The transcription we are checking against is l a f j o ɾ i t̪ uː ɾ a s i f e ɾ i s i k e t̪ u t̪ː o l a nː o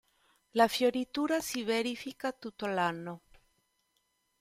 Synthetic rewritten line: l a f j o ɾ i t̪ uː ɾ a s i v e ɾ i f i k a t̪ u t̪ː o l a nː o